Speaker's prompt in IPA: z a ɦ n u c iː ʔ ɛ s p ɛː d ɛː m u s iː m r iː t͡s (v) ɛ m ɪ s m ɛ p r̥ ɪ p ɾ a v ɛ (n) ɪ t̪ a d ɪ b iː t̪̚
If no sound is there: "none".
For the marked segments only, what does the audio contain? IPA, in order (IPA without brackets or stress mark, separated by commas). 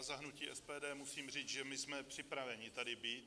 ʒ, ɲ